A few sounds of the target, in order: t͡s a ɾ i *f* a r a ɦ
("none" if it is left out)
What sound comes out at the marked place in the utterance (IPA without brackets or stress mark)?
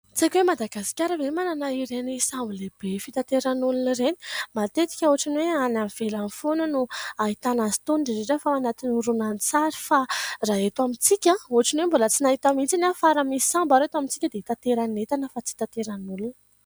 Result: f